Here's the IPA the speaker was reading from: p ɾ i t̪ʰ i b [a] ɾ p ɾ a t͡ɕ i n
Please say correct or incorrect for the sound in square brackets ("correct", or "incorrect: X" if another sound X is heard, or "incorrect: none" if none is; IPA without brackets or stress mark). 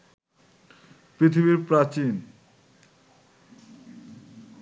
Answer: incorrect: i